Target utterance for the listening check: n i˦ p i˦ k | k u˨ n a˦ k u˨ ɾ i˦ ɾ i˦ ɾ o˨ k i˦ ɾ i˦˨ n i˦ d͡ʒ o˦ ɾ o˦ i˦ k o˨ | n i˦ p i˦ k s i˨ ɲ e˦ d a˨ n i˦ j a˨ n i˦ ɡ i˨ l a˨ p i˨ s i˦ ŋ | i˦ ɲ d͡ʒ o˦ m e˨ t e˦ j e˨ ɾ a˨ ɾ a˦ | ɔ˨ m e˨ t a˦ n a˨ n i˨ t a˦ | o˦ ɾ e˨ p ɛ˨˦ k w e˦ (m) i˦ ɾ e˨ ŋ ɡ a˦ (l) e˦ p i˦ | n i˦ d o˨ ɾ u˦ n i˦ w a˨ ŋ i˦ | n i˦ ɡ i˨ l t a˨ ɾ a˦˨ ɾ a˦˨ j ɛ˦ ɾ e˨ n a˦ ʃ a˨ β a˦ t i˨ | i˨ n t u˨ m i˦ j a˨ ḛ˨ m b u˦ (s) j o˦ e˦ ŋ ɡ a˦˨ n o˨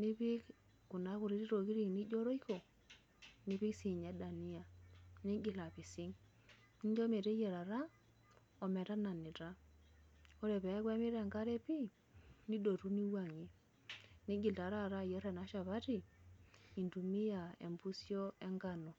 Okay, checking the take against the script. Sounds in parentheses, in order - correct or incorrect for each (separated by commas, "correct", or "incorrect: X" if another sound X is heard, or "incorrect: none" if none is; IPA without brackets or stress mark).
correct, incorrect: ɾ, correct